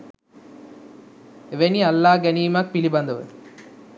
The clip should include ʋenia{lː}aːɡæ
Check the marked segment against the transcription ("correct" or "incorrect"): correct